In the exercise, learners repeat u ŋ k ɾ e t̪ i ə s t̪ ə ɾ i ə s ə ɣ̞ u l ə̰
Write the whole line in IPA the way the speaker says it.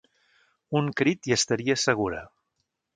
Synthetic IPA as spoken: u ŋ k ɾ i t̪ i ə s t̪ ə ɾ i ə s ə ɣ̞ u ɾ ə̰